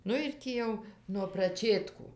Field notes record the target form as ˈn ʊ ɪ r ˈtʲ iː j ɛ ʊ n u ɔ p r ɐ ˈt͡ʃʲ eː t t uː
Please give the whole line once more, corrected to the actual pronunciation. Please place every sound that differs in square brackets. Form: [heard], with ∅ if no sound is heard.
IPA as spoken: ˈn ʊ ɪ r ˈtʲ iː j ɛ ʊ n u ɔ p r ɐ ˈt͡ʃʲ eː t [k] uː